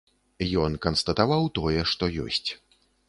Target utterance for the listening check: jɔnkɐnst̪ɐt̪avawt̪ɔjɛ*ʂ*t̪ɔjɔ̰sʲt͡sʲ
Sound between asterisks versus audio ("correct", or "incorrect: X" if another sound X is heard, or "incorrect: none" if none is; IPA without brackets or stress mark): correct